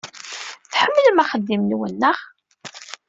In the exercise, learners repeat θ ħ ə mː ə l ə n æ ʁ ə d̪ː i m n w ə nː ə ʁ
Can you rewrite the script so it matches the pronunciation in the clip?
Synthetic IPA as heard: θ ħ ə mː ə l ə m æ χ ə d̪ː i m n w ə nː ə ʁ